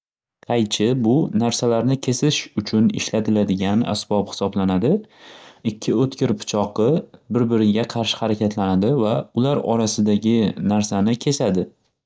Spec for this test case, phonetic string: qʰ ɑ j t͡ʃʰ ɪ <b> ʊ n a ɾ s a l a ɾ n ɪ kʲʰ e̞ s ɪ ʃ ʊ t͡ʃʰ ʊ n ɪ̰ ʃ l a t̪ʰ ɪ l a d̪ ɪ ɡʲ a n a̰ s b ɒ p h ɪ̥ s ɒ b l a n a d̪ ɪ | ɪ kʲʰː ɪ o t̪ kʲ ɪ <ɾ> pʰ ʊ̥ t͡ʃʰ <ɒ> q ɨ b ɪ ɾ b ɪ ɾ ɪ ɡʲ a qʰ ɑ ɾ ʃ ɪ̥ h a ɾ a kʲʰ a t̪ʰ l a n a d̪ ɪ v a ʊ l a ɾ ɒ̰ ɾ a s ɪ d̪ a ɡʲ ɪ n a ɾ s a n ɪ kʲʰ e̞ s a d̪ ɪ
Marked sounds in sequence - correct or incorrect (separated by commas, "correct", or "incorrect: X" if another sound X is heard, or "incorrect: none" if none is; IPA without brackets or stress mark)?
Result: correct, correct, correct